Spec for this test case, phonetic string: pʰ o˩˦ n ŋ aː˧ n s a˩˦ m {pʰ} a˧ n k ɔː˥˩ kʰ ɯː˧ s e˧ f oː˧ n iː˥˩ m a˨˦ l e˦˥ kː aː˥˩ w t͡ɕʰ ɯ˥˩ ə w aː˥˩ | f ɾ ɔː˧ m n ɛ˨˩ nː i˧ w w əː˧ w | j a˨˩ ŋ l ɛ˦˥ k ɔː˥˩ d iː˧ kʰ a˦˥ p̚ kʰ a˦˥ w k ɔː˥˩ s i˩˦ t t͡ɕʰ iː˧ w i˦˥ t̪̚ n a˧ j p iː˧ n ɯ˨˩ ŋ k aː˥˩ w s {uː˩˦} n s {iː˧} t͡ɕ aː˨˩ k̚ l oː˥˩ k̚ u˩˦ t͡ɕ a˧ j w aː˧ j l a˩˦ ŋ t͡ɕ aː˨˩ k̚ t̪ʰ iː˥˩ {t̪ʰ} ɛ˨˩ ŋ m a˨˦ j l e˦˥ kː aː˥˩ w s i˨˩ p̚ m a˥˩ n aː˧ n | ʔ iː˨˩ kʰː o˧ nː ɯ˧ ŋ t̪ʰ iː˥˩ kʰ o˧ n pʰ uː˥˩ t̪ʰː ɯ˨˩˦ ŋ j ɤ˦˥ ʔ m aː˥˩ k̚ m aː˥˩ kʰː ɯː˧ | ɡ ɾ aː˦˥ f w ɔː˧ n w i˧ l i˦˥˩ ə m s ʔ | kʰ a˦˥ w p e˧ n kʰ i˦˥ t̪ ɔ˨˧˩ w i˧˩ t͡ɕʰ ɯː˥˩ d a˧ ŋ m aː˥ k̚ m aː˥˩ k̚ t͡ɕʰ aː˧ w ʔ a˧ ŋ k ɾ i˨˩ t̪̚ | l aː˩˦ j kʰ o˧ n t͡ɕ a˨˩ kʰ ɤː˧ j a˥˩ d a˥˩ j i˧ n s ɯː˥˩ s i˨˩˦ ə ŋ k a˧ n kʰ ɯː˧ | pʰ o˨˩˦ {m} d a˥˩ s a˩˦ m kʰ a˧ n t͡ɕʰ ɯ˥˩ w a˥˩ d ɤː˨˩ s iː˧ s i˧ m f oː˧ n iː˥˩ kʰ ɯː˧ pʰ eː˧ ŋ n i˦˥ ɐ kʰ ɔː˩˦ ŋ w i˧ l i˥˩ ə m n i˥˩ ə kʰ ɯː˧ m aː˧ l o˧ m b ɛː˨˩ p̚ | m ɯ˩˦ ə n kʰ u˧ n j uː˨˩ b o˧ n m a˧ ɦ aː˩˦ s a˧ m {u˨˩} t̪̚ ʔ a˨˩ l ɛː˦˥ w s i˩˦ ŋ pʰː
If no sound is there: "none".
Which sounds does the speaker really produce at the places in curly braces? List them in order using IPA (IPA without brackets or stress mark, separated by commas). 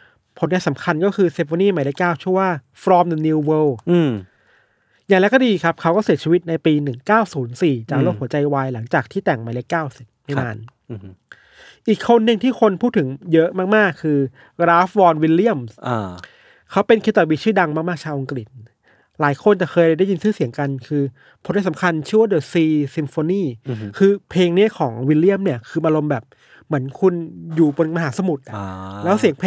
kʰ, uː˩˦, iː˨˩, t̪, n, u˨˩